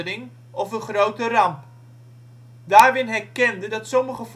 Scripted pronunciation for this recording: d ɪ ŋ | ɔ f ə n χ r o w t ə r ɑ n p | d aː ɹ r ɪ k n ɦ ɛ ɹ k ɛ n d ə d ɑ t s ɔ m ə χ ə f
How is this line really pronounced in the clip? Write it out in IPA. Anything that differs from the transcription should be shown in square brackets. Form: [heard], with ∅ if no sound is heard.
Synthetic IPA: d ɪ ŋ | ɔ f ə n χ r o w t ə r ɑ [m] p | d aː ɹ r ɪ [∅] n ɦ ɛ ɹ k ɛ n d ə d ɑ t s ɔ m ə χ ə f